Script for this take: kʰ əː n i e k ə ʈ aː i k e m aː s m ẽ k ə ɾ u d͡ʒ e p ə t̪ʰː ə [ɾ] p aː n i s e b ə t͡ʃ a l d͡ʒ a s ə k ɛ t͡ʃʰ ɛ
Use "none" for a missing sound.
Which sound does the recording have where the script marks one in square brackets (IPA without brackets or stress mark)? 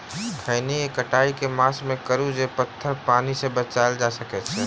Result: ɾ